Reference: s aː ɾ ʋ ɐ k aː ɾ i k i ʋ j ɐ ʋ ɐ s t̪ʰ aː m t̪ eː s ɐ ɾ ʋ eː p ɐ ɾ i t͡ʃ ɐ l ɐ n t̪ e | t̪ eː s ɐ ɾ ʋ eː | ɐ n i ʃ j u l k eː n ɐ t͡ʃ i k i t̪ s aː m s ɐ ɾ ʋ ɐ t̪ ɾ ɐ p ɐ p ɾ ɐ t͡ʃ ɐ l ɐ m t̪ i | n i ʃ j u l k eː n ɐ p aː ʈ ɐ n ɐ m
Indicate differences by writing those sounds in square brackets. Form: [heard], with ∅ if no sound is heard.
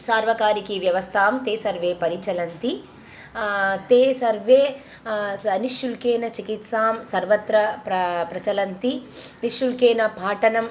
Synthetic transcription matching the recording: s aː ɾ ʋ ɐ k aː ɾ i k i ʋ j ɐ ʋ ɐ s t̪ʰ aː m t̪ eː s ɐ ɾ ʋ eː p ɐ ɾ i t͡ʃ ɐ l ɐ n t̪ [i] | t̪ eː s ɐ ɾ ʋ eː | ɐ n i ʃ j u l k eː n ɐ t͡ʃ i k i t̪ s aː m s ɐ ɾ ʋ ɐ t̪ ɾ ɐ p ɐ p ɾ ɐ t͡ʃ ɐ l ɐ [n] t̪ i | n i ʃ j u l k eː n ɐ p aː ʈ ɐ n ɐ m